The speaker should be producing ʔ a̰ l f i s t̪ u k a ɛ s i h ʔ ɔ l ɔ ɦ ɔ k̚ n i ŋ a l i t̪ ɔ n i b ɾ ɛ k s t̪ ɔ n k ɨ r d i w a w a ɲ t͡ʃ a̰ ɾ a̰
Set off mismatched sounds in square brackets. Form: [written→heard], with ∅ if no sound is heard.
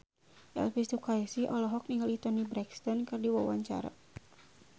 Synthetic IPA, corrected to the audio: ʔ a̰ l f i s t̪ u k a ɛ s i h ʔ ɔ l ɔ ɦ ɔ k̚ n i ŋ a l i t̪ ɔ n i b ɾ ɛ k s t̪ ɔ n k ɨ r d i w a w a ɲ t͡ʃ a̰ ɾ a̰